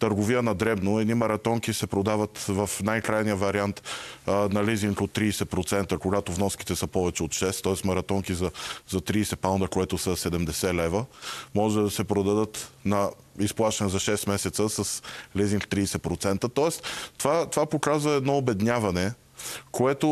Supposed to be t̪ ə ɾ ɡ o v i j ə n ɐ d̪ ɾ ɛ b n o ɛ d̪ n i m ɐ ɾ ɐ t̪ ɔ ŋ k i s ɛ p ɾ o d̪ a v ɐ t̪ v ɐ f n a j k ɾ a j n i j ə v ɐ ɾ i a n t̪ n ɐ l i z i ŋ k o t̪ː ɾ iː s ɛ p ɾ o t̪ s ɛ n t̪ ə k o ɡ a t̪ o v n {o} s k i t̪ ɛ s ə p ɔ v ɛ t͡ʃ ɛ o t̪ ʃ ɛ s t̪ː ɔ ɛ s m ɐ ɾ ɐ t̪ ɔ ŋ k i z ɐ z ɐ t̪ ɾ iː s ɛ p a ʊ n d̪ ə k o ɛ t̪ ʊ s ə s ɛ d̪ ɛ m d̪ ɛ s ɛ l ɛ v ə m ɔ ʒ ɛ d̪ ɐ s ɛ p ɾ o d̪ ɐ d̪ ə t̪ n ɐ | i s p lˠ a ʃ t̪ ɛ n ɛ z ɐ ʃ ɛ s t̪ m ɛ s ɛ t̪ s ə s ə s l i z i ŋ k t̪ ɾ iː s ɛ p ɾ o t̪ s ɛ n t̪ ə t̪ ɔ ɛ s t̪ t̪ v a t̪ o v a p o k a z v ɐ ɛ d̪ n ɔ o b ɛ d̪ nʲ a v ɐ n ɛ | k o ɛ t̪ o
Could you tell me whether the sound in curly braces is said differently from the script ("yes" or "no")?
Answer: yes